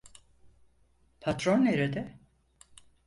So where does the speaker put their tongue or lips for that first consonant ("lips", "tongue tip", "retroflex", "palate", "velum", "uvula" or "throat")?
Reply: lips